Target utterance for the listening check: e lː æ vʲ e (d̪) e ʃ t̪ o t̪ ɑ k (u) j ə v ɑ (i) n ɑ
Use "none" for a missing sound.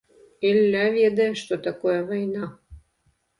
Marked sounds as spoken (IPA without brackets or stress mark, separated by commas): d̪, o, j